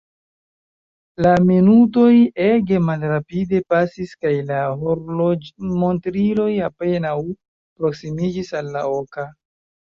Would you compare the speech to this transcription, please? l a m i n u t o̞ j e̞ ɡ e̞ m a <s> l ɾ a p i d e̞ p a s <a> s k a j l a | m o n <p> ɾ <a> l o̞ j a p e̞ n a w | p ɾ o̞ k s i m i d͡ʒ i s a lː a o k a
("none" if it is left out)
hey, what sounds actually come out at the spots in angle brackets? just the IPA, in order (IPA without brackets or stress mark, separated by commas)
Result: none, i, t, i